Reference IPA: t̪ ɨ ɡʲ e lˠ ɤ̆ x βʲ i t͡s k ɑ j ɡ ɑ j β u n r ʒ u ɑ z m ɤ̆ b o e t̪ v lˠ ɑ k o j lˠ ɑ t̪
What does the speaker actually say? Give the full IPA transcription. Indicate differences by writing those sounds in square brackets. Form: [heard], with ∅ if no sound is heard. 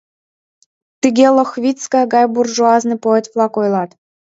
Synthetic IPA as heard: t̪ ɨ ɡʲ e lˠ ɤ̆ x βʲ i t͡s k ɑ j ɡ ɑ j [b] u [∅] r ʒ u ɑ z [n] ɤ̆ [p] o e t̪ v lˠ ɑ k o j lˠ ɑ t̪